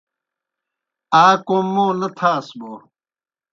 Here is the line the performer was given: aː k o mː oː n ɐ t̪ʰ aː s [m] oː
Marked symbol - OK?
no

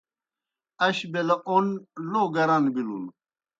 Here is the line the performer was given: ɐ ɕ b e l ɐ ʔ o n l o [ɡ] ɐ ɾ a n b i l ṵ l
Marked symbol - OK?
yes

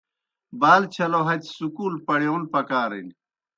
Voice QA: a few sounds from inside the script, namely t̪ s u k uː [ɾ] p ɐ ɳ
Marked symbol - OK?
no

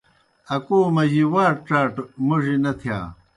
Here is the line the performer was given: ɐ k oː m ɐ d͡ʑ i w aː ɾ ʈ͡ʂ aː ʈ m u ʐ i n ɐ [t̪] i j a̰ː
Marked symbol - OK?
no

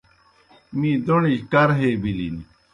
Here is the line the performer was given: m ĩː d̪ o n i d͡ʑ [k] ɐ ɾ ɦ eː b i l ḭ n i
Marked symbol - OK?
yes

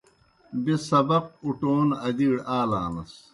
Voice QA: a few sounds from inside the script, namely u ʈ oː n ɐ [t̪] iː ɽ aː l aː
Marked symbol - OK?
no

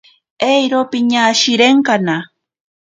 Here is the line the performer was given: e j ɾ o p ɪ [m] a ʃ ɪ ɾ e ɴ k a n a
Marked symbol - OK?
no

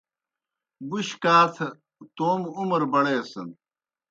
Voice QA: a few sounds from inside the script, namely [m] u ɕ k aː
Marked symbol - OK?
no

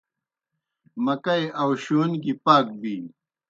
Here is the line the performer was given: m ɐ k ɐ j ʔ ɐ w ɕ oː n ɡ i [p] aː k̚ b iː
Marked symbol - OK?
yes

